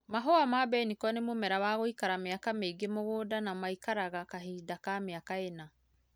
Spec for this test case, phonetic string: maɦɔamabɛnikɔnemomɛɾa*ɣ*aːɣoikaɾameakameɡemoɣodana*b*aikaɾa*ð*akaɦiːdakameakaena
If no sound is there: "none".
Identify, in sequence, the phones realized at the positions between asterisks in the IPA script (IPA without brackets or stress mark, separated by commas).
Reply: w, m, ɣ